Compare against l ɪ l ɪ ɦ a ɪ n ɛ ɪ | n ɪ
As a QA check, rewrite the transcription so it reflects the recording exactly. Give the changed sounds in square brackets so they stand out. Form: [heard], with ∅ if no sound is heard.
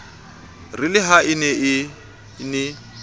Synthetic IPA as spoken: [r] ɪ l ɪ ɦ a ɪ n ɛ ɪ | n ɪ